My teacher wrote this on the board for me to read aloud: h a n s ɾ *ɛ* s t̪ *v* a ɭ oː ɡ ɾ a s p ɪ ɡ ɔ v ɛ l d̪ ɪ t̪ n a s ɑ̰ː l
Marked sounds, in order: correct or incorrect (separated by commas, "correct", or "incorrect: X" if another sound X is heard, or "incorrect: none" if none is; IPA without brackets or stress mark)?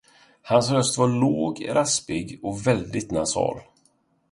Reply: incorrect: œ, correct